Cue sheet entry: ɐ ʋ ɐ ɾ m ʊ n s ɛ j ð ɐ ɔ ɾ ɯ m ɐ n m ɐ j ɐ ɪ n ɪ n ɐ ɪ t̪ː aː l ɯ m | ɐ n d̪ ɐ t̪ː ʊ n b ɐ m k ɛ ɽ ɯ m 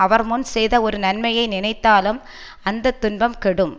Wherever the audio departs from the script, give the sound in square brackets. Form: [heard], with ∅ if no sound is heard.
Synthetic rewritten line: ɐ ʋ ɐ ɾ m ʊ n s ɛ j ð ɐ ɔ ɾ ɯ [n] ɐ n m ɐ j ɐ ɪ n ɪ n ɐ ɪ t̪ː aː l ɯ m | ɐ n d̪ ɐ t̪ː ʊ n b ɐ m k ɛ ɽ ɯ m

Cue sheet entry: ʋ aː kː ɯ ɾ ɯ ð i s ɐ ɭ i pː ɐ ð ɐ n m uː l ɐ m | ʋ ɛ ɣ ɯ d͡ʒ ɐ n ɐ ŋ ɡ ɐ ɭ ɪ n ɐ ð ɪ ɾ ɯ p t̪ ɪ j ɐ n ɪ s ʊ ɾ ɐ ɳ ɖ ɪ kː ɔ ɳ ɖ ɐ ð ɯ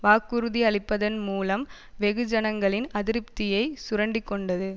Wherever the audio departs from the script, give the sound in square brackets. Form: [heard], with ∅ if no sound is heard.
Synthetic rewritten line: ʋ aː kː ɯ ɾ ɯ ð i [∅] ɐ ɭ [ɪ] pː ɐ ð ɐ n m uː l ɐ m | ʋ ɛ ɣ ɯ d͡ʒ ɐ n ɐ ŋ ɡ ɐ ɭ ɪ n ɐ ð ɪ ɾ ɯ p t̪ ɪ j ɐ [∅] ɪ s ʊ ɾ ɐ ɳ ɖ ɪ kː ɔ ɳ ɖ ɐ ð ɯ

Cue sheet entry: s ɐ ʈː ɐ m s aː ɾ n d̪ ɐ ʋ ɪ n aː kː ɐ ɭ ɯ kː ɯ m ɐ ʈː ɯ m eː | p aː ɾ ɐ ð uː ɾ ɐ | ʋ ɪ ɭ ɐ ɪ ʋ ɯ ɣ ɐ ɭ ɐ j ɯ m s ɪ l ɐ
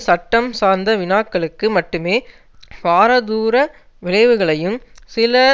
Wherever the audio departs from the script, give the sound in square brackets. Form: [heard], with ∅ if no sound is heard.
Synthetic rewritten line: s ɐ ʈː ɐ m s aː ɾ n d̪ ɐ ʋ ɪ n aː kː ɐ ɭ ɯ kː ɯ m ɐ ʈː ɯ m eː | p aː ɾ ɐ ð uː ɾ ɐ | ʋ ɪ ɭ ɐ ɪ ʋ ɯ ɣ ɐ ɭ ɐ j ɯ m s ɪ l ɐ

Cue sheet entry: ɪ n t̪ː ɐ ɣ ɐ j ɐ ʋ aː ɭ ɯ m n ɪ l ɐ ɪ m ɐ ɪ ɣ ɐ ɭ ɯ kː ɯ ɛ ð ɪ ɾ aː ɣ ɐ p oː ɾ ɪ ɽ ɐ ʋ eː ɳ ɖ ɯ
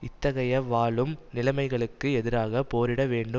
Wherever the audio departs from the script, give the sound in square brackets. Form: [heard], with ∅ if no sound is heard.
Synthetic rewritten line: ɪ [∅] t̪ː ɐ ɣ ɐ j ɐ ʋ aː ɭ ɯ m n ɪ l ɐ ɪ m ɐ ɪ ɣ ɐ ɭ ɯ kː ɯ ɛ ð ɪ ɾ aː ɣ ɐ p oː ɾ ɪ ɽ ɐ ʋ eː ɳ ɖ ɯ

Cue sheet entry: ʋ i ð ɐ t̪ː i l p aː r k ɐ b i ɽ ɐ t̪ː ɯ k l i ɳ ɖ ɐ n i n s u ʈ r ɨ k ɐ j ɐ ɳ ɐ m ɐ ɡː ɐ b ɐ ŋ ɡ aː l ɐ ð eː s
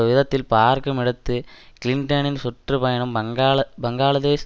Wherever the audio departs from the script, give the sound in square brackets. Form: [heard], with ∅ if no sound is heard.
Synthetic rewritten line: ʋ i ð ɐ t̪ː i l p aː r k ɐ [m] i ɽ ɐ t̪ː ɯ k l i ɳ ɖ ɐ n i n s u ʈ r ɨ [p] ɐ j ɐ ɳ ɐ m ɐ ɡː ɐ b ɐ ŋ ɡ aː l ɐ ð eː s

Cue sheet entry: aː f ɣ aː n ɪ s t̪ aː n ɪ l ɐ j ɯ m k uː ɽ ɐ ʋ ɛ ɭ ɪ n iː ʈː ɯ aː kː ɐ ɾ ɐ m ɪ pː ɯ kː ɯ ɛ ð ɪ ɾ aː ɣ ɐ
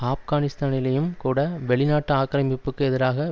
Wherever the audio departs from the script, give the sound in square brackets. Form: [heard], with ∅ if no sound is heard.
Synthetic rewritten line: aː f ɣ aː n ɪ s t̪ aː n ɪ l ɐ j ɯ m k uː ɽ ɐ ʋ ɛ ɭ ɪ n [aː] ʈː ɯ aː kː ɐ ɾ ɐ m ɪ pː ɯ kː ɯ ɛ ð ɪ ɾ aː ɣ ɐ

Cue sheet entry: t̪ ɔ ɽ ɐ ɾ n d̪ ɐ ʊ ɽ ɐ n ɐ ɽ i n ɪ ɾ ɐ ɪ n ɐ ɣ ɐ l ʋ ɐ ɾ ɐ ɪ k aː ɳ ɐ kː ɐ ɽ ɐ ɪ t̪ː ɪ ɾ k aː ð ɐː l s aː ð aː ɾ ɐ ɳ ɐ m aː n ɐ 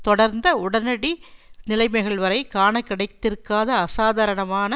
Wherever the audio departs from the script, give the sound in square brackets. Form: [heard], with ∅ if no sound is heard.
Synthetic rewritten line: t̪ ɔ ɽ ɐ ɾ n d̪ ɐ ʊ ɽ ɐ n ɐ ɽ i n ɪ [l] ɐ ɪ [m] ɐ ɣ ɐ [ɭ] ʋ ɐ ɾ ɐ ɪ k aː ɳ ɐ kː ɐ ɽ ɐ ɪ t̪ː ɪ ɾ k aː ð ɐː [∅] s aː ð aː ɾ ɐ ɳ ɐ m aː n ɐ

